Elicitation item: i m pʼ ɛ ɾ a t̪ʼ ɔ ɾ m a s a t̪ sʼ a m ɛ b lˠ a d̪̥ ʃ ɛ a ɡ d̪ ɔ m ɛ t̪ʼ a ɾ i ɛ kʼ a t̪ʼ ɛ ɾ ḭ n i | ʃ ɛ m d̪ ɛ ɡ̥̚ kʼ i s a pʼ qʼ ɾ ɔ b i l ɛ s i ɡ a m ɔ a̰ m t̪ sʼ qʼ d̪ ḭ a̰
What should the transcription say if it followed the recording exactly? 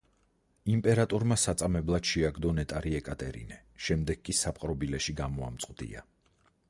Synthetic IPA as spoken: i m pʼ ɛ ɾ a t̪ʼ ɔ ɾ m a s a t̪ sʼ a m ɛ b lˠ a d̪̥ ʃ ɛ a ɡ d̪ ɔ n ɛ t̪ʼ a ɾ i ɛ kʼ a t̪ʼ ɛ ɾ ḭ n ɛ | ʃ ɛ m d̪ ɛ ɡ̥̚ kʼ i s a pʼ qʼ ɾ ɔ b i l ɛ ʃ i ɡ a m ɔ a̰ m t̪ sʼ qʼ d̪ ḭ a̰